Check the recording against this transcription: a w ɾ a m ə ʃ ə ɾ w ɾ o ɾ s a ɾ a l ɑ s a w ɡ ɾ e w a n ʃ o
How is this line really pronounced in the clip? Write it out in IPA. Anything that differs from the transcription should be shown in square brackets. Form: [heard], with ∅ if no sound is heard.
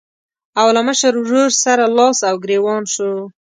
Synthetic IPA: a w [l] a m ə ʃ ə ɾ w ɾ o ɾ s a ɾ a l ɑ s a w ɡ ɾ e w [ɑ] n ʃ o